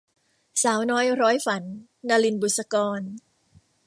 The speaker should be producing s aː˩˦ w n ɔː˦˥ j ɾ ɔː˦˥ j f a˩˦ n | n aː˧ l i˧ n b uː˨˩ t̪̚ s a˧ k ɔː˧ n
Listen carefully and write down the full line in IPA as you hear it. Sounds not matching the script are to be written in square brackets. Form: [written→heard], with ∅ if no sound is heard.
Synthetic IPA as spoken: s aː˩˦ w n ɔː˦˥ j ɾ ɔː˦˥ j f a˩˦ n | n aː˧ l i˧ n b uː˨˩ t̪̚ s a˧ k ɔː˧ n